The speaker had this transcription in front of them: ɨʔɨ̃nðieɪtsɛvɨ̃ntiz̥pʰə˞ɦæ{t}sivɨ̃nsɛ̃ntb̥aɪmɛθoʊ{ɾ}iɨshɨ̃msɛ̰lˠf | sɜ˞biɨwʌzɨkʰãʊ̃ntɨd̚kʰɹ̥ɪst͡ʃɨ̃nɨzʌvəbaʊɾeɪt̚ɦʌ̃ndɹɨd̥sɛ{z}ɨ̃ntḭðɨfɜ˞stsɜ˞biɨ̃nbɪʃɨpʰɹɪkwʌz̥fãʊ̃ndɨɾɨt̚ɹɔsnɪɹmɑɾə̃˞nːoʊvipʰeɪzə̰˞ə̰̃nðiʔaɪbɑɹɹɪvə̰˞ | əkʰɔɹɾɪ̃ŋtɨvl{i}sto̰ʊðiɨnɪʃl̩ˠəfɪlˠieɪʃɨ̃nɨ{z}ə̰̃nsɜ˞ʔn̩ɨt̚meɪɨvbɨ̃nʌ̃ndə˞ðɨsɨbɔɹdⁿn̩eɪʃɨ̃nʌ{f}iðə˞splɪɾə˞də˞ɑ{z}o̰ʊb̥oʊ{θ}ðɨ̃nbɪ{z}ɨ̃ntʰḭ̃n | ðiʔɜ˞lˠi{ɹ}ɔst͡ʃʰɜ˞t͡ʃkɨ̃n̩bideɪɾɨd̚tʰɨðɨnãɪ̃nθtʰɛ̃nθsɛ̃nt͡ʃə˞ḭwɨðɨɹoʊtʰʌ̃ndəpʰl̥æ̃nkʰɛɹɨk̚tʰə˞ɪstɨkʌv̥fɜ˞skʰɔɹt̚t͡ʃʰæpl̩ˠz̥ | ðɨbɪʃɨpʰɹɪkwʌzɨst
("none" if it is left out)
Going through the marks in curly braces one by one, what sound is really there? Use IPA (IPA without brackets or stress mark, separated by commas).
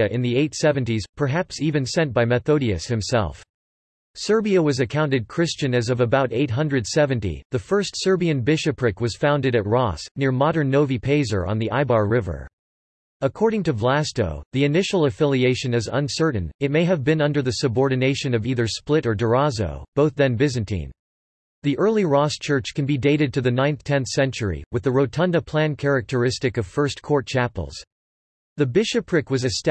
p, ɾ, v, æ, z, v, z, θ, z, ɹ